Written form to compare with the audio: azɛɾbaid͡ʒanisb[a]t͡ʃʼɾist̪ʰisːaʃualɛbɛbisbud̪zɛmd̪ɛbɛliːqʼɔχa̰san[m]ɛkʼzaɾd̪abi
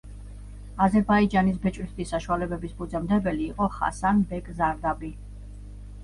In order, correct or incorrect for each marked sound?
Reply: incorrect: ɛ, incorrect: b

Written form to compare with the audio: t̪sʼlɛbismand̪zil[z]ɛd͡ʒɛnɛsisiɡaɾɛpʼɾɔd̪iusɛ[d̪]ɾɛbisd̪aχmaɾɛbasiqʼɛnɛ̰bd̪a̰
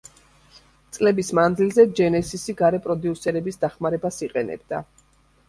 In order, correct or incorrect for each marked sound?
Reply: correct, incorrect: none

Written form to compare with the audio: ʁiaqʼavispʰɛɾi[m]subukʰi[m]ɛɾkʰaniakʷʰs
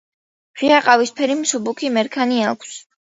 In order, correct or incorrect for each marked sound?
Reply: correct, correct

